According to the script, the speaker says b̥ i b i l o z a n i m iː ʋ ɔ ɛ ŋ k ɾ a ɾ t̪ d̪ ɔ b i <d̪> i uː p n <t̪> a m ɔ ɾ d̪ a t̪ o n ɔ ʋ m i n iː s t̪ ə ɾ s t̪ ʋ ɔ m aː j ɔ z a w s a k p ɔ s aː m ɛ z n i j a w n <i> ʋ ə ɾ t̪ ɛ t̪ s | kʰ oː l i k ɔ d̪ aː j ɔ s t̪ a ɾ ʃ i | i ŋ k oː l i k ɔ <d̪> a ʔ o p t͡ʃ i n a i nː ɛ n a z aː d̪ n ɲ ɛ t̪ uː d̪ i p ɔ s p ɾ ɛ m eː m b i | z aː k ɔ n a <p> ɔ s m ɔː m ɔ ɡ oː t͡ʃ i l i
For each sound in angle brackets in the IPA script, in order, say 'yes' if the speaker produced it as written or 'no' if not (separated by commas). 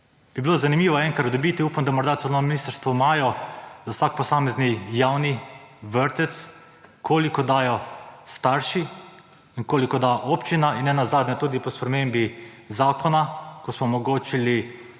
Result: no, no, yes, yes, no